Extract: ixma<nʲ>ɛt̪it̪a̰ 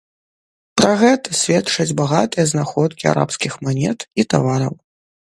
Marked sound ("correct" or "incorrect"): correct